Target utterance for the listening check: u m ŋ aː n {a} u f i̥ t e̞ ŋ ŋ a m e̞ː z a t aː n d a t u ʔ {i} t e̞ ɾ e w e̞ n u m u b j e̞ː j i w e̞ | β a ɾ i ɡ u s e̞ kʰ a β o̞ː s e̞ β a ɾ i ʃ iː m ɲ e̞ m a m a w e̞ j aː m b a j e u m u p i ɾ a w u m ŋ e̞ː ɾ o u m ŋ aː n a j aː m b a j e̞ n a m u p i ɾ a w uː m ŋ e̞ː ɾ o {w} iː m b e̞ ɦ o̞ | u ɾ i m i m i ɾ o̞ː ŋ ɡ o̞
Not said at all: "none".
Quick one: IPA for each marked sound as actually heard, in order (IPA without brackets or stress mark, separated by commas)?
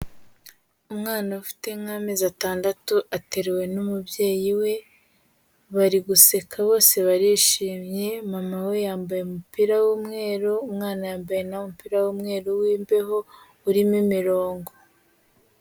a, a, w